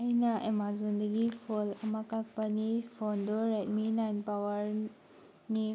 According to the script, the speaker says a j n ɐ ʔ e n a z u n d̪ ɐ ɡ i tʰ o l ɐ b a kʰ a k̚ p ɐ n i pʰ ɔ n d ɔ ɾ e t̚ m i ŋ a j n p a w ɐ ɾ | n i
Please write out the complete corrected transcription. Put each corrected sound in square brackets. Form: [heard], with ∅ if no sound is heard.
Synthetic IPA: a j n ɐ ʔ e [m] a z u n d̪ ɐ ɡ i [pʰ] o l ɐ [m] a [k] a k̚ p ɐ n i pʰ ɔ n d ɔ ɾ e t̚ m i [n] a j n p a w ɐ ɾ | n i